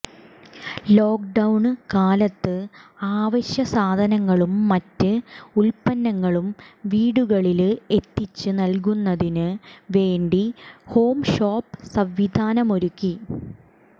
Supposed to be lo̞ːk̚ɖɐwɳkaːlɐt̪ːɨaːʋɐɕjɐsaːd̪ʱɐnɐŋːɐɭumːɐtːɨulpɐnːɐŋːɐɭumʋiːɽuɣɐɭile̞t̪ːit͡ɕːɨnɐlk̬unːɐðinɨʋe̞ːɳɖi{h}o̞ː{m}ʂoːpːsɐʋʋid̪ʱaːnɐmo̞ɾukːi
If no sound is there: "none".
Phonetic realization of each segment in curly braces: h, m

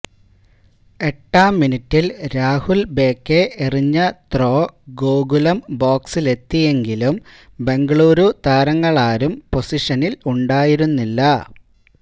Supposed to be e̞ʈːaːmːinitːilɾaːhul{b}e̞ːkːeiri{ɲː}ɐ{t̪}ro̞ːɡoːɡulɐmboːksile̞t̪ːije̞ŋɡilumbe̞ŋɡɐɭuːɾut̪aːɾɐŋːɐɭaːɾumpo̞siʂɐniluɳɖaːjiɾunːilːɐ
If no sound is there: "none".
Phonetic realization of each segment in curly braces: b, ɲː, t̪

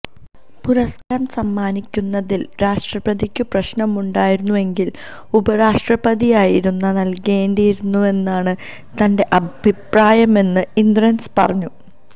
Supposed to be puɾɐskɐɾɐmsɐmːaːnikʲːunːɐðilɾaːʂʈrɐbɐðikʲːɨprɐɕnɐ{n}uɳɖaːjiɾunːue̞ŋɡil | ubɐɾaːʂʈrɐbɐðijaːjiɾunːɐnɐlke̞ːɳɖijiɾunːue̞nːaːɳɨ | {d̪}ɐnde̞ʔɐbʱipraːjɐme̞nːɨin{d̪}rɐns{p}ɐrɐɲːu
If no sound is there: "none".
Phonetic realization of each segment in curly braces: m, t̪, d̪, p

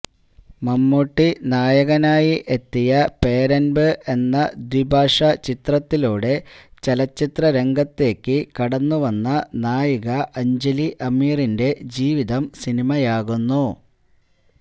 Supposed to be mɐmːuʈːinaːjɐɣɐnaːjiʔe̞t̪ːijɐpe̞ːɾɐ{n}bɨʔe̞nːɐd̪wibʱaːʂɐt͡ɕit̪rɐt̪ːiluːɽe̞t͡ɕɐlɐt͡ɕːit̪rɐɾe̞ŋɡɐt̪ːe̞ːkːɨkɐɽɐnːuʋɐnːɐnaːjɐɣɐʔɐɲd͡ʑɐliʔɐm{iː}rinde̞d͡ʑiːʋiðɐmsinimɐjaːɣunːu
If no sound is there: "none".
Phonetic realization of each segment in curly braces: n, iː

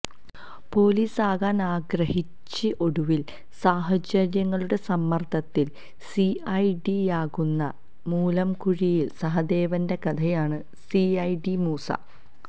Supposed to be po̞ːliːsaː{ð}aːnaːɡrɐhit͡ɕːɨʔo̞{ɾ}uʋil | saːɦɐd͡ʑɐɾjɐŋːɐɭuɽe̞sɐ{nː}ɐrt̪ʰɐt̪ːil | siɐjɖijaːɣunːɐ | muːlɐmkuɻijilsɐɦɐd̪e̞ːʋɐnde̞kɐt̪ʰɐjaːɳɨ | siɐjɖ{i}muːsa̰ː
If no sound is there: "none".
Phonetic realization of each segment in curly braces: ɣ, ɽ, mː, i

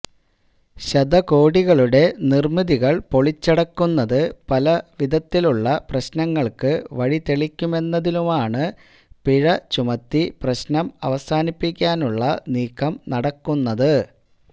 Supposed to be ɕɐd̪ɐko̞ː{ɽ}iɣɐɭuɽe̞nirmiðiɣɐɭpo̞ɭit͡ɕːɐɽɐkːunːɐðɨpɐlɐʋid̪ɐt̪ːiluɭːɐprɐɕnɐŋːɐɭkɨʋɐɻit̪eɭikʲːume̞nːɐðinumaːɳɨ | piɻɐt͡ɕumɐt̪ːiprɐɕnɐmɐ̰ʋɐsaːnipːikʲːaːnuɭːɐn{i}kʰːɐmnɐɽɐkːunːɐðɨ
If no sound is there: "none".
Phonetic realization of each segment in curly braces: ɽ, iː

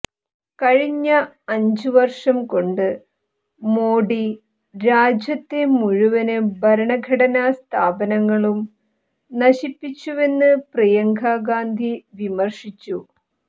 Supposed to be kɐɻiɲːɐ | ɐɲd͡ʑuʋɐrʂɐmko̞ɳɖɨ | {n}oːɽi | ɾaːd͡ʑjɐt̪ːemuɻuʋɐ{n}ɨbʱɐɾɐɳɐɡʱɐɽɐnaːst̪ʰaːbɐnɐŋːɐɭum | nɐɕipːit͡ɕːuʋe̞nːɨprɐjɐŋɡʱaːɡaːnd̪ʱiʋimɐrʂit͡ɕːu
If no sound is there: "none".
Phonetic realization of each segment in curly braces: m, n

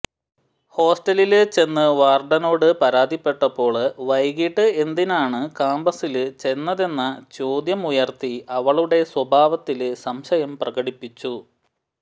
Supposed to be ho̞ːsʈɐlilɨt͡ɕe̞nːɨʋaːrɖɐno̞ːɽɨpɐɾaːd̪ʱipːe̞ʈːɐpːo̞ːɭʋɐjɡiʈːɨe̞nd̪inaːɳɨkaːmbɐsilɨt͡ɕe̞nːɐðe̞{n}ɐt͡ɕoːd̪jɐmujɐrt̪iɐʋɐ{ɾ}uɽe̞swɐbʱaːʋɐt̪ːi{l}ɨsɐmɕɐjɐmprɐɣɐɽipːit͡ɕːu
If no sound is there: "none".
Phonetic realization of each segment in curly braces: nː, ɭ, l

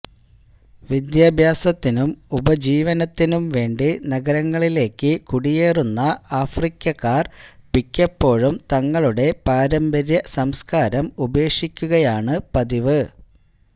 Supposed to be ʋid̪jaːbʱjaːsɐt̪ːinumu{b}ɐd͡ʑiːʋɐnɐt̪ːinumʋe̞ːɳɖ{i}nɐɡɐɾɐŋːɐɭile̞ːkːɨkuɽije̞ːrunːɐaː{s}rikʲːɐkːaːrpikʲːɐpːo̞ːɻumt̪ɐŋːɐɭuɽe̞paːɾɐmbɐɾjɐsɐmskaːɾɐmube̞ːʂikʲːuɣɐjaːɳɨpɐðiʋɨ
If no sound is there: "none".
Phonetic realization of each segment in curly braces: b, i, f

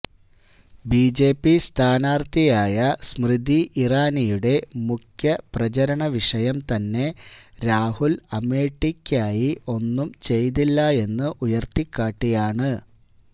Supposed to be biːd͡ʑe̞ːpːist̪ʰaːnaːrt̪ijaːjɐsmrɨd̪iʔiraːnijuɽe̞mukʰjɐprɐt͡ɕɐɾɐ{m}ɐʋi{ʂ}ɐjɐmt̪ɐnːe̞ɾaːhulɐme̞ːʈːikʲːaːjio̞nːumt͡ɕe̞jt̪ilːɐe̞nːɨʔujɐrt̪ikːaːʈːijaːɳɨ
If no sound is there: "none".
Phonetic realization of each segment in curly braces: ɳ, ʂ

